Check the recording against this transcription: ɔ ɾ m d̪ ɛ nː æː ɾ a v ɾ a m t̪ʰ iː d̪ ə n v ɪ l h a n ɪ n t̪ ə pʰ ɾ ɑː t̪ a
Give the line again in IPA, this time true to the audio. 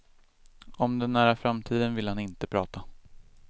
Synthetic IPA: ɔ m d̪ ɛ nː æː ɾ a f ɾ a m t̪ʰ iː d̪ ə n v ɪ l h a n ɪ n t̪ ə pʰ ɾ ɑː t̪ a